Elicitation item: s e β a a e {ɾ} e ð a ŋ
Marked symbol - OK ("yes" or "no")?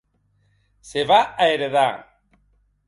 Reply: yes